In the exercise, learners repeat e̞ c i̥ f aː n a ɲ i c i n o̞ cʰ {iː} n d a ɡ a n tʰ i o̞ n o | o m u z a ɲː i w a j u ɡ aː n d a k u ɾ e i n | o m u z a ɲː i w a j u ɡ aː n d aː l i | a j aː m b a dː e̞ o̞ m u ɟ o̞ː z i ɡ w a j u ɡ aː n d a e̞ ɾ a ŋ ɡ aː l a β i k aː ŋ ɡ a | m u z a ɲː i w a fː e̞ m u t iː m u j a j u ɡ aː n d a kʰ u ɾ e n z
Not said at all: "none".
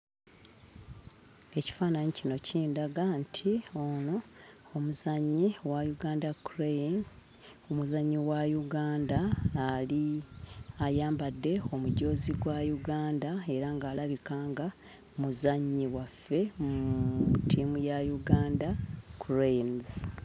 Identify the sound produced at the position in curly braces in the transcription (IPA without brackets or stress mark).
iː